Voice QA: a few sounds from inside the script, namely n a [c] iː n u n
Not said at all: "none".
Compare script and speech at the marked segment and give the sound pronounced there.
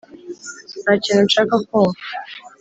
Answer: c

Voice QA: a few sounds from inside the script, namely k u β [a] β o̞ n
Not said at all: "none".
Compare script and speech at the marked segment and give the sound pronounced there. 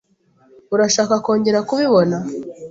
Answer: i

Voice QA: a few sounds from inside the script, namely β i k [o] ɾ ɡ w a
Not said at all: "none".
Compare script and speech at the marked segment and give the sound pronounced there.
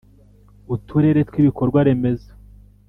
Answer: o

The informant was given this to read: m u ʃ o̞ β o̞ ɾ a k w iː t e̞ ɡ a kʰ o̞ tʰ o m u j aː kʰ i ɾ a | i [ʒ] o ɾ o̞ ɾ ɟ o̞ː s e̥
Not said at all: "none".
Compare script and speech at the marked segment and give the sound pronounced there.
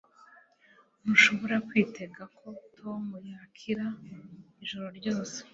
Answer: ʒ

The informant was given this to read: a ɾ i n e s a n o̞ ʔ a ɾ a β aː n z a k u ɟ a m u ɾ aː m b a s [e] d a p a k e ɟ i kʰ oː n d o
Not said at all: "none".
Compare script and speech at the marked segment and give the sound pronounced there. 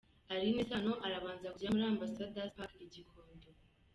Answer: a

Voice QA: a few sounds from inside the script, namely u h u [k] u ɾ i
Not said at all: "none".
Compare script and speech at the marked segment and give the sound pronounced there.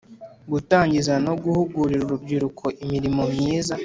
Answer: ɡ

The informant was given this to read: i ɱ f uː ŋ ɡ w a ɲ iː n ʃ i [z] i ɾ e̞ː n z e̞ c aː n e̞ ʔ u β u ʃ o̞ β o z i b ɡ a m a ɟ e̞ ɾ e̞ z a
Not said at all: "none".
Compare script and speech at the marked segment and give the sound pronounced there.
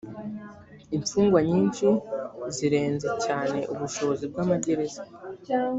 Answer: z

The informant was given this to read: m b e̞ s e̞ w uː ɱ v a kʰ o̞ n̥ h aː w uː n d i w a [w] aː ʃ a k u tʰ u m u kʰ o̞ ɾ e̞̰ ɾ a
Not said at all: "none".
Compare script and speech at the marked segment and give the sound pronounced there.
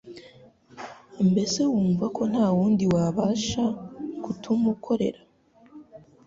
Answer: β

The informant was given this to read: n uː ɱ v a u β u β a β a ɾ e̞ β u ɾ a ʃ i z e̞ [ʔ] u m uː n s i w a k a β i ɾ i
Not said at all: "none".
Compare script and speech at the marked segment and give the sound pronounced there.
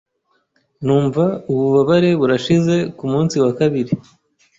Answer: k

